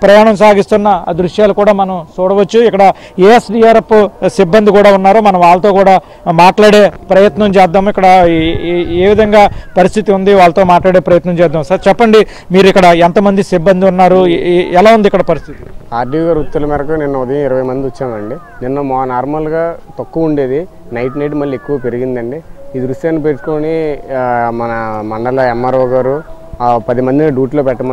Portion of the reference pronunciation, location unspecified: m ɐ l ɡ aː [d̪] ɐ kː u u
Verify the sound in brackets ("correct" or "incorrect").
incorrect